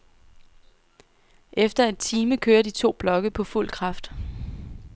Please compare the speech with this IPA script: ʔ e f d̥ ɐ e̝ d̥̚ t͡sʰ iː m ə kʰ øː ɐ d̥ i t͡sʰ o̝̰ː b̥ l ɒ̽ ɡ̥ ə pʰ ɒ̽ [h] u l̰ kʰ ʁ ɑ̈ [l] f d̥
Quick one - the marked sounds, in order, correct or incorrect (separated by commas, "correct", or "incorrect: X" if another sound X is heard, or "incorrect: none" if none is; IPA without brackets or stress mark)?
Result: incorrect: f, incorrect: none